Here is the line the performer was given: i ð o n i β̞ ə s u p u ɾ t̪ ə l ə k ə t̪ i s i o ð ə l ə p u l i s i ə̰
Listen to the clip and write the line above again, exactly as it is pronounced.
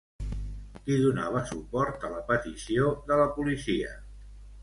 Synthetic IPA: i ð u n a β̞ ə s u p ɔ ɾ t̪ ə l ə p ə t̪ i s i o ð ə l ə p u l i s i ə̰